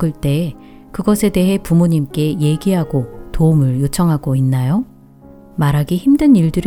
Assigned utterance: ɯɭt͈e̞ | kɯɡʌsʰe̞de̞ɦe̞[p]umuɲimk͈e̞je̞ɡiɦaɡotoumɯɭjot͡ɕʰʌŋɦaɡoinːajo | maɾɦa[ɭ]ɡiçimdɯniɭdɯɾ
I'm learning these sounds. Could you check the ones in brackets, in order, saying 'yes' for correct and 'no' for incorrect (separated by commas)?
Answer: yes, no